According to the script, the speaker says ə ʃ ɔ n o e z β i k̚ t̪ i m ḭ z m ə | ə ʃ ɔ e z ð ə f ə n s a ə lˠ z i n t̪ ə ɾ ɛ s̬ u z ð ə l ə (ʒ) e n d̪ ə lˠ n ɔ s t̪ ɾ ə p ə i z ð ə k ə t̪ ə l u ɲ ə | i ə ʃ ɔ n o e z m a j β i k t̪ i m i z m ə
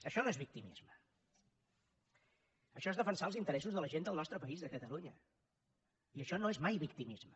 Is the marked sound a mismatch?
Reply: no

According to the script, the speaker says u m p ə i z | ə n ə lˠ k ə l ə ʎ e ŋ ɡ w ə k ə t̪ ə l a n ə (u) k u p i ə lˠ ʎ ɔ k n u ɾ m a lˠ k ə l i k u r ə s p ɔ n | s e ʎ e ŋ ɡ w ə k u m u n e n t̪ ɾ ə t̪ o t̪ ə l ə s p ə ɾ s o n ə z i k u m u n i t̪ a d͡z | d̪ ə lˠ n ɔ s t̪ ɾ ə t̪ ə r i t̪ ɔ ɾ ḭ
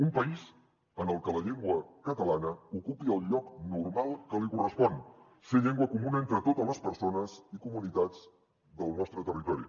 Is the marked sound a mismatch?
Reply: no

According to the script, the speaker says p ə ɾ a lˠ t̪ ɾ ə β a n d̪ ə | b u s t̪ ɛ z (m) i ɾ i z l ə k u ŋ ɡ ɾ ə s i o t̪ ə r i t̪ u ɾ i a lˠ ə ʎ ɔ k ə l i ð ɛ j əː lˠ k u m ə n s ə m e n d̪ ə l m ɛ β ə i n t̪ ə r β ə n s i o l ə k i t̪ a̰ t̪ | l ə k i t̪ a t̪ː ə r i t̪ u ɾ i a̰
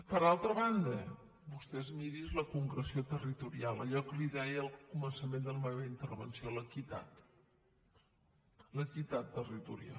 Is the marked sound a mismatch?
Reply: no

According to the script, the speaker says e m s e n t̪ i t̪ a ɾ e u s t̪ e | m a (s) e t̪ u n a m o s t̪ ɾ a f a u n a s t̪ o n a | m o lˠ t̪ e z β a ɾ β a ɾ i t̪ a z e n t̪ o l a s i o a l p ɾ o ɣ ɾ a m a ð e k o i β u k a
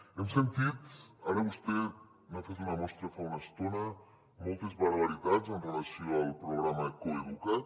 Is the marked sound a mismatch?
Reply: yes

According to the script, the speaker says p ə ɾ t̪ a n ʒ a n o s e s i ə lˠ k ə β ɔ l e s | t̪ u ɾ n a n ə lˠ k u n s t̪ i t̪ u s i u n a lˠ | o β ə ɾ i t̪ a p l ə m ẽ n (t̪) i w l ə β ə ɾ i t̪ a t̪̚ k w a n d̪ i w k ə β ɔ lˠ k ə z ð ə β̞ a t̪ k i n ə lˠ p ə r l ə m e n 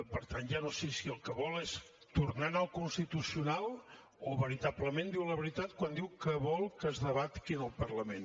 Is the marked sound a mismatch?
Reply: yes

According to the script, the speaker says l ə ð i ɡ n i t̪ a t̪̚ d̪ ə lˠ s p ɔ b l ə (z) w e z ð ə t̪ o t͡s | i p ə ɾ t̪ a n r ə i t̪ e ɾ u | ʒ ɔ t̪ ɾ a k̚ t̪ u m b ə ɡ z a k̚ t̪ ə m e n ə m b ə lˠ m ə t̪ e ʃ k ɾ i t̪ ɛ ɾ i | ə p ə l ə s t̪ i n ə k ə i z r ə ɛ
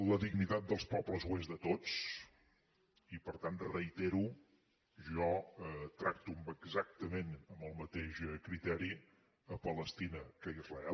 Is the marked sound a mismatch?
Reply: no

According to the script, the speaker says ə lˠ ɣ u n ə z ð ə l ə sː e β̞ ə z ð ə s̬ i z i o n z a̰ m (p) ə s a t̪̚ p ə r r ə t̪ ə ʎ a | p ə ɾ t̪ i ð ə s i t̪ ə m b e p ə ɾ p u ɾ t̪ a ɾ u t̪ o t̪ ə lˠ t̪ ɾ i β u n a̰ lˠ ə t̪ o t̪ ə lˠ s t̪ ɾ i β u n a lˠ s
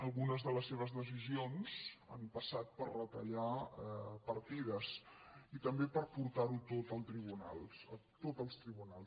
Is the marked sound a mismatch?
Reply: no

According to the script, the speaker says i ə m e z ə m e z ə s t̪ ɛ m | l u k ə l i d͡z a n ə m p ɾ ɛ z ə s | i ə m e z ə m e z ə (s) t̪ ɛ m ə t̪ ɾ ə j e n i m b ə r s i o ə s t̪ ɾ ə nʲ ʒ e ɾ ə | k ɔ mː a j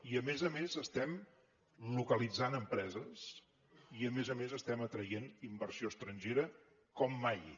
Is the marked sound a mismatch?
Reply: no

